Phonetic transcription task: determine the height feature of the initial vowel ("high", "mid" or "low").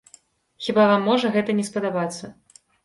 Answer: high